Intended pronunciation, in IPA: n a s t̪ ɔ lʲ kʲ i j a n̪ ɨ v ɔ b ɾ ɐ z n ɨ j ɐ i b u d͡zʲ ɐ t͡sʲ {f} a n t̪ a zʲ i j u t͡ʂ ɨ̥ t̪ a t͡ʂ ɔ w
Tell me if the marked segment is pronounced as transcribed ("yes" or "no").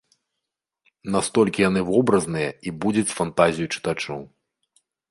yes